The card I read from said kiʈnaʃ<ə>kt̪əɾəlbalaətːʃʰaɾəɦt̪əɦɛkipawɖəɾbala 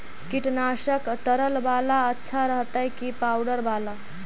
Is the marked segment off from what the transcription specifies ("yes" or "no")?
no